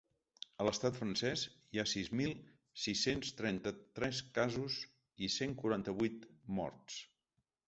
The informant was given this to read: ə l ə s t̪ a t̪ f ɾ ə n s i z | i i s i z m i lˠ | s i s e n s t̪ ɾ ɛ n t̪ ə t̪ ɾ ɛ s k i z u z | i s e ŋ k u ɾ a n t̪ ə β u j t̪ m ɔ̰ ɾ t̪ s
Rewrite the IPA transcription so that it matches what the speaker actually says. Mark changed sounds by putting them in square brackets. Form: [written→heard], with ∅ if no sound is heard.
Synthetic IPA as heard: ə l ə s t̪ a t̪ f ɾ ə n s [i→ɛ] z | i [i→a] s i z m i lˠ | s i s e n s t̪ ɾ ɛ n t̪ ə t̪ ɾ ɛ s k [i→a] z u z | i s e ŋ k u ɾ a n t̪ ə β u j t̪ m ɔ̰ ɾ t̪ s